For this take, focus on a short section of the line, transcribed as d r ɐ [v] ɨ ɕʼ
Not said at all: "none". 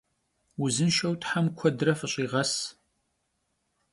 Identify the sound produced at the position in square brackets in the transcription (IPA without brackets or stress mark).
f